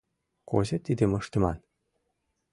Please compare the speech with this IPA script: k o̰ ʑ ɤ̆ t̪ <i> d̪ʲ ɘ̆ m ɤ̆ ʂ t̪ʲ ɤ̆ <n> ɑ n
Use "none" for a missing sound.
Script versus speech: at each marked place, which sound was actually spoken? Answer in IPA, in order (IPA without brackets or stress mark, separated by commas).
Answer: i, m